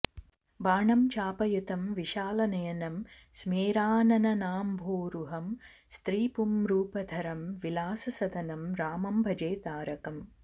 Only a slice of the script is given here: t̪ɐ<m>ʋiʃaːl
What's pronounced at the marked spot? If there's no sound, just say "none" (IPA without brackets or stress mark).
m